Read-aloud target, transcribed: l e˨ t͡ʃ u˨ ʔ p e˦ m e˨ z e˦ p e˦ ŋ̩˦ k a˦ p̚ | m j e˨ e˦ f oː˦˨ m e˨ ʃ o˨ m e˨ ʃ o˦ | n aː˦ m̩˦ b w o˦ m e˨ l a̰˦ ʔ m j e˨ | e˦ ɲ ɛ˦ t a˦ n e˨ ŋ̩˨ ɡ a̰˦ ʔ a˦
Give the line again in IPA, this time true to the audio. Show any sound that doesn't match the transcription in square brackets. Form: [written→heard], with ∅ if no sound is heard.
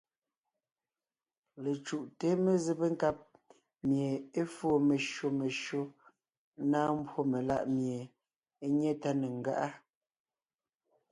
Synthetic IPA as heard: l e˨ t͡ʃ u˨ ʔ [p→t] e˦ m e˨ z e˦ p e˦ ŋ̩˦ k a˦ p̚ | m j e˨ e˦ f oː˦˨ m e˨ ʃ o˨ m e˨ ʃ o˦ | n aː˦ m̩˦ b w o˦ m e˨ l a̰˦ ʔ m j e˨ | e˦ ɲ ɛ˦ t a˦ n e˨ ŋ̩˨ ɡ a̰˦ ʔ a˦